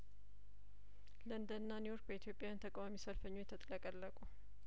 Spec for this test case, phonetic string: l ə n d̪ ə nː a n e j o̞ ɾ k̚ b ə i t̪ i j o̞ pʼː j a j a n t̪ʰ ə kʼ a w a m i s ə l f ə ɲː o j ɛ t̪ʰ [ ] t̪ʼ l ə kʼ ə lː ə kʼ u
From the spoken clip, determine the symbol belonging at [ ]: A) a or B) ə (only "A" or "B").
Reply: B